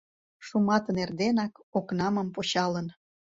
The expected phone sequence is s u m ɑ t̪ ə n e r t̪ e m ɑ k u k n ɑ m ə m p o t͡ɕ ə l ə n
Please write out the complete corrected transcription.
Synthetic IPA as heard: ʃ u m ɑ t̪ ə n e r d̪ e n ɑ k o k n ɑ m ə m p o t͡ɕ ɑ l ə n